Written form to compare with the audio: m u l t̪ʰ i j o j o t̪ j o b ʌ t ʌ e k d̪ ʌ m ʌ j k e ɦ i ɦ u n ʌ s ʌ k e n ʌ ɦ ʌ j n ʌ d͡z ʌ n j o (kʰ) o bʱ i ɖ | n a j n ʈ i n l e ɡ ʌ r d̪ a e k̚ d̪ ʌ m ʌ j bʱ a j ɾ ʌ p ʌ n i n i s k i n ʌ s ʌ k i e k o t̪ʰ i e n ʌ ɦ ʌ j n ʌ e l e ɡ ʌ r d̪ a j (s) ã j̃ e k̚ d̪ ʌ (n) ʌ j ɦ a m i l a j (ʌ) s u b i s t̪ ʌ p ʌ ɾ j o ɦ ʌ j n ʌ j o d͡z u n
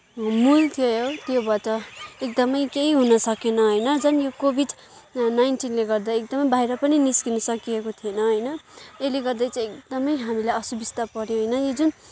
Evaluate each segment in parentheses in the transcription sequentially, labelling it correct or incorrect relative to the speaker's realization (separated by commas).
incorrect, incorrect, incorrect, correct